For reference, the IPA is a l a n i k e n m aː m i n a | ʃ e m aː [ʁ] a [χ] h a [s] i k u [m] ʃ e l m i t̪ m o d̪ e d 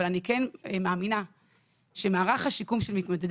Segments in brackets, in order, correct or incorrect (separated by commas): correct, correct, incorrect, correct